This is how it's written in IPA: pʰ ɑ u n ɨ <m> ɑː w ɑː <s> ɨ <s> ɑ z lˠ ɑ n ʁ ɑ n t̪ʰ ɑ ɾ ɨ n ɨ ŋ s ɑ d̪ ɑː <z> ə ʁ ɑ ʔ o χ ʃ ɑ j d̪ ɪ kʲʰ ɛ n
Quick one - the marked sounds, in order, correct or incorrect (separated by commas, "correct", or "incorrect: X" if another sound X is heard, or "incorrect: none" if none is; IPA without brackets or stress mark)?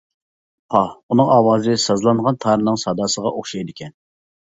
incorrect: ŋ, incorrect: z, correct, incorrect: s